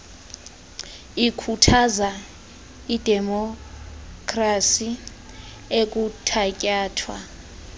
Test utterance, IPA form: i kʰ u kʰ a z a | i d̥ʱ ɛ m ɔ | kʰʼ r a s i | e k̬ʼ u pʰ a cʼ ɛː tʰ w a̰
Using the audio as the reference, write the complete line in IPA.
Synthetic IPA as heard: i kʰ u tʰ a z a | i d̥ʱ ɛ m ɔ | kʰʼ r a s i | e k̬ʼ u tʰ a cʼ aː tʰ w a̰